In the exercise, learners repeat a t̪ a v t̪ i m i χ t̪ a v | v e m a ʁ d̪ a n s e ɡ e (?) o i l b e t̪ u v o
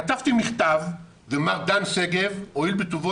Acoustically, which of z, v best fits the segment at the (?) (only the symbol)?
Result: v